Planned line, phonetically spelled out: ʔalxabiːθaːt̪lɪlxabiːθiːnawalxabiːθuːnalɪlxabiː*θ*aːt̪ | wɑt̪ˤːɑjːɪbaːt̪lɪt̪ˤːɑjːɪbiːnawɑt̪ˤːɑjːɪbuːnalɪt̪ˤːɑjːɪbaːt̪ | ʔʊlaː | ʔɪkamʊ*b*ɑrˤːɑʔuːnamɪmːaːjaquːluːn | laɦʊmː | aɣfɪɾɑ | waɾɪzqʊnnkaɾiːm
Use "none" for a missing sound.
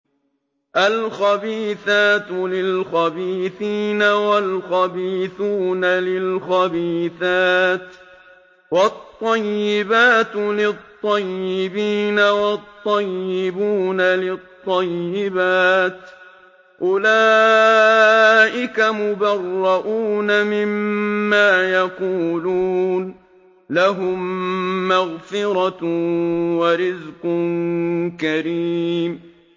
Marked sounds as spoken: θ, b

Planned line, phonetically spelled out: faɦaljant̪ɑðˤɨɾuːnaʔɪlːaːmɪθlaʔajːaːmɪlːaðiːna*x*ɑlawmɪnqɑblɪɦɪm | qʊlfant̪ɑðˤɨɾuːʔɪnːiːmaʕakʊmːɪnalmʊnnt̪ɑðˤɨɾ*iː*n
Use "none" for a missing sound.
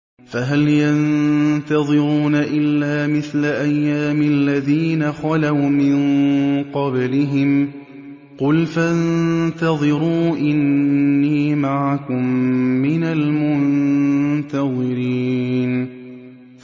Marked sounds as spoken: x, iː

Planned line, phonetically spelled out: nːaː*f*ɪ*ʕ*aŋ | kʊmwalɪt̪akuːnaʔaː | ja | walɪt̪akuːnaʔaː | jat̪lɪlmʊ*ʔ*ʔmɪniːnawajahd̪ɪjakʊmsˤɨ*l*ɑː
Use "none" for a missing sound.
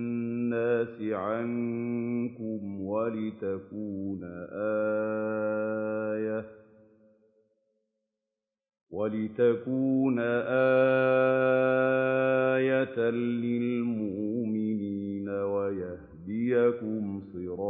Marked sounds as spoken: s, ʕ, ʔ, ɾ

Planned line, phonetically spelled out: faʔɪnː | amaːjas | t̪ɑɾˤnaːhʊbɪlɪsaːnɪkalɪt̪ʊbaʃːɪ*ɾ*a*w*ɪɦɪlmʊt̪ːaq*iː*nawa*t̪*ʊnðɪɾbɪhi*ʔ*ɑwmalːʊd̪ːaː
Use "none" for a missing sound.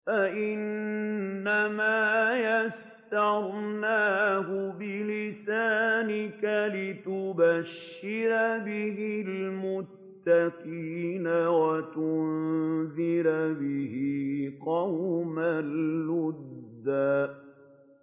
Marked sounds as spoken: ɾ, b, iː, t̪, q

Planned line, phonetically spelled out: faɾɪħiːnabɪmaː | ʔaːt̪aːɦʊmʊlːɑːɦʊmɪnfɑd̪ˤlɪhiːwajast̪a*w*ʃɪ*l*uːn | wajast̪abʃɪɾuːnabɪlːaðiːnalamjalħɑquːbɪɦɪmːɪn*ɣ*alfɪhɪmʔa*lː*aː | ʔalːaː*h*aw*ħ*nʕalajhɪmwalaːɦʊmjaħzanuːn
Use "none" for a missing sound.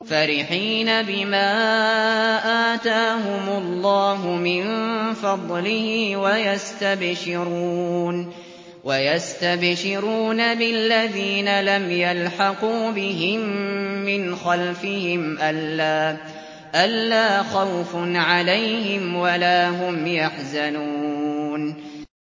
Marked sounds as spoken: b, ɾ, x, lː, x, f

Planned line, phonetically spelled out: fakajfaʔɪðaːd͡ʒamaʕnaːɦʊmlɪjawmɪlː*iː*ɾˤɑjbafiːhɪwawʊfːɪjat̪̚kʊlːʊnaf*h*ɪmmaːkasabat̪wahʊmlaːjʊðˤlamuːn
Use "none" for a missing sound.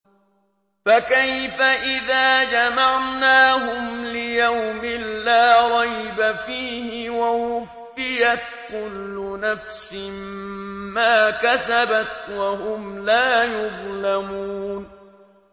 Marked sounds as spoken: aː, s

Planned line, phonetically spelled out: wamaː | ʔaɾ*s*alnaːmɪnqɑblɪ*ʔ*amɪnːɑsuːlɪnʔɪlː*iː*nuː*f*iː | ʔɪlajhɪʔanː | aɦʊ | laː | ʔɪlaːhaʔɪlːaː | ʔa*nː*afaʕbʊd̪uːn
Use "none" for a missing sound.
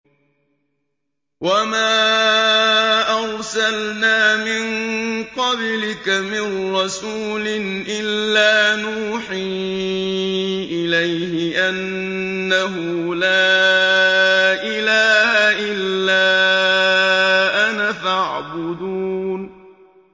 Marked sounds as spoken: s, k, aː, ħ, n

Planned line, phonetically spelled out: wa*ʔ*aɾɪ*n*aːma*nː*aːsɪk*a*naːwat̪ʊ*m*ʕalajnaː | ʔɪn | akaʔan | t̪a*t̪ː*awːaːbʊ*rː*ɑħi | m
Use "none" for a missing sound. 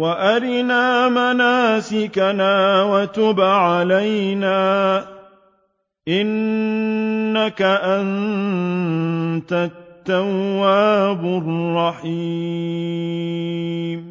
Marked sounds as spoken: ʔ, n, n, a, b, t̪ː, rː

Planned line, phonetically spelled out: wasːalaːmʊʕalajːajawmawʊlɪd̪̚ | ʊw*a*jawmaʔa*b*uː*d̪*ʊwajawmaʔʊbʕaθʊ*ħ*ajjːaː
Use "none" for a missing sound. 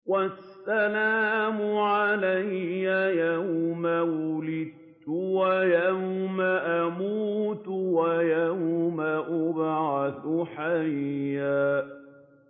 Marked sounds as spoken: a, m, t̪, ħ

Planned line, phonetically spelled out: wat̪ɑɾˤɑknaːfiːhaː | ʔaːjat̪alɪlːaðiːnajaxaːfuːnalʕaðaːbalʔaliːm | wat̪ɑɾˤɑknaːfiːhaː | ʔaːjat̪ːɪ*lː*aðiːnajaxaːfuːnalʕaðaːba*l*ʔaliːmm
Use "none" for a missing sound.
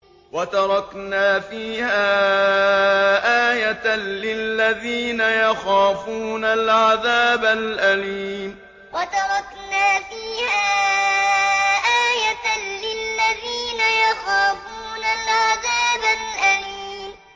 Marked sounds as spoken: lː, l

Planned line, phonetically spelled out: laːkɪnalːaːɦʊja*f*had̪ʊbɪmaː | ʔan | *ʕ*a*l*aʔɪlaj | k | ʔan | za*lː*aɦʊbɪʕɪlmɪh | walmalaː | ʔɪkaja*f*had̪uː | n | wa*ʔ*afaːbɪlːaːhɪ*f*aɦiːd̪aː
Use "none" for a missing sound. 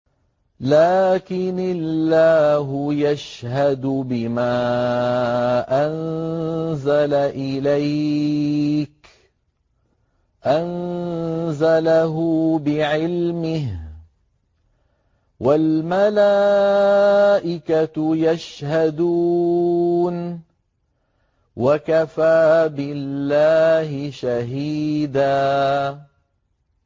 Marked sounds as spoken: ʃ, z, l, l, ʃ, k, ʃ

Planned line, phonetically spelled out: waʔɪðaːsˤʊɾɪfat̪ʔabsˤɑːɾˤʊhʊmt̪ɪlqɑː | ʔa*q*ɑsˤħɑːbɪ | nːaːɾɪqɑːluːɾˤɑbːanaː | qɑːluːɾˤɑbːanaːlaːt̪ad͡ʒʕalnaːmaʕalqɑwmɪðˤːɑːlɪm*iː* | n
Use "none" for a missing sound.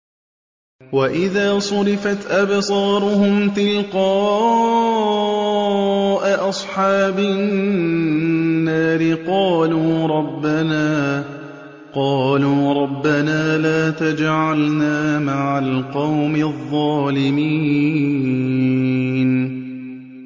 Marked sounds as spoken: ʔ, iː

